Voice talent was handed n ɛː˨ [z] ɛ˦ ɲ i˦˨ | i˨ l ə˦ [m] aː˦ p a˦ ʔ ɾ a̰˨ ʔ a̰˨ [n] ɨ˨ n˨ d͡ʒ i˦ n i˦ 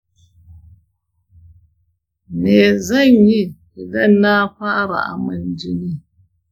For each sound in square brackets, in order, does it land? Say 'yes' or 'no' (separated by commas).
yes, no, no